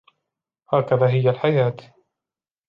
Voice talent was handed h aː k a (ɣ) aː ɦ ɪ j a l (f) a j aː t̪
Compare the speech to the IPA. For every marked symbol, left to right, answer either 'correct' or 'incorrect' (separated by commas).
incorrect, incorrect